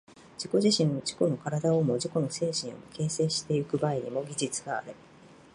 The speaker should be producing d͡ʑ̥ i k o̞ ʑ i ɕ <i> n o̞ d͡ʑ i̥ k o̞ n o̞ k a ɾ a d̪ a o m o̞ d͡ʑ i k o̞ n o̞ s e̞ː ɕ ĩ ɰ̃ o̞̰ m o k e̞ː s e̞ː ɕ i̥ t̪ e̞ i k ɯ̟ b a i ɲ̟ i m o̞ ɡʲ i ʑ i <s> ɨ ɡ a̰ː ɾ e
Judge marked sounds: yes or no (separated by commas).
no, no